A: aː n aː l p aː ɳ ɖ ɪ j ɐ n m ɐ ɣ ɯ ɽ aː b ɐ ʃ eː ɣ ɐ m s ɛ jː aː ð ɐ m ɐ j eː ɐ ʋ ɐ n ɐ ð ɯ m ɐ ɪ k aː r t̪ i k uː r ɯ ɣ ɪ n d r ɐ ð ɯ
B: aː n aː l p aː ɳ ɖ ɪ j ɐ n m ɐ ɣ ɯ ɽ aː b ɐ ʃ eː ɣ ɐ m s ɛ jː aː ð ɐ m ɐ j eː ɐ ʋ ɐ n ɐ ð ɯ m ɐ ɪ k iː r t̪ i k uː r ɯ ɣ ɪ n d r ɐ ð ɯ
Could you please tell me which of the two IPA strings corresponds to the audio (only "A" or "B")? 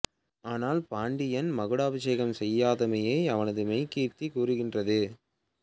B